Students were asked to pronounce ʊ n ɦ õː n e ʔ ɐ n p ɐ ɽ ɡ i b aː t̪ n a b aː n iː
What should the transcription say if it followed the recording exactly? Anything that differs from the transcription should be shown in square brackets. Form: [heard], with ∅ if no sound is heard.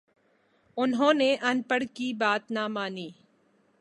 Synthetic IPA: ʊ n ɦ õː n e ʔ ɐ n p [ə] ɽ [k] i b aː t̪ n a [m] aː n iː